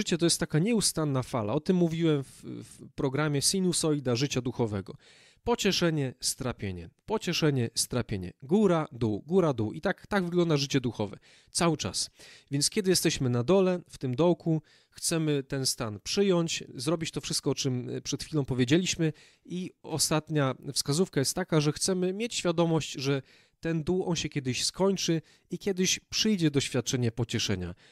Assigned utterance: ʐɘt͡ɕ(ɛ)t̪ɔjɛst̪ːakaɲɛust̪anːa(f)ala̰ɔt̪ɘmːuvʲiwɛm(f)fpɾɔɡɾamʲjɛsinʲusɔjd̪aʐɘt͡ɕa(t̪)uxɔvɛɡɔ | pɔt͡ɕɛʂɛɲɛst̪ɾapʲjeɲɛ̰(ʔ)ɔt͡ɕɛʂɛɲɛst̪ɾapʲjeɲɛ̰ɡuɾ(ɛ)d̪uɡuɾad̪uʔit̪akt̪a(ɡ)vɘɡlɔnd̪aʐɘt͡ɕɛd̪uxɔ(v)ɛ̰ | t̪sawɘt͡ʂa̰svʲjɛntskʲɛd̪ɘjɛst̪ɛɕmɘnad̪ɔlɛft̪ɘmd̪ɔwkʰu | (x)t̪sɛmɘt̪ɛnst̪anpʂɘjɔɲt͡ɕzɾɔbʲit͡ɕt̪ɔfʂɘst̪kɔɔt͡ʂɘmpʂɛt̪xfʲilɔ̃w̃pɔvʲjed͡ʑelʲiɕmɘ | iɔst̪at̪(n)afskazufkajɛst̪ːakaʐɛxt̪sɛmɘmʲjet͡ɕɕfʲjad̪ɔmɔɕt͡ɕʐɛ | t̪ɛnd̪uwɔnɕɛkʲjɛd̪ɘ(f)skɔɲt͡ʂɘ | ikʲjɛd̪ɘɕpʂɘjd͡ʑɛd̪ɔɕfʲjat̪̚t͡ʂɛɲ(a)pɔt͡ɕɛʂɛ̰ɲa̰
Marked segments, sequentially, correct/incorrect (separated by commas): correct, correct, correct, incorrect, incorrect, incorrect, correct, correct, correct, incorrect, incorrect, incorrect